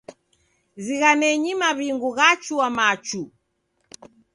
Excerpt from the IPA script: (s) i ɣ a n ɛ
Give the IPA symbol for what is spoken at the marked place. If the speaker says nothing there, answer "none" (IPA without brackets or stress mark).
z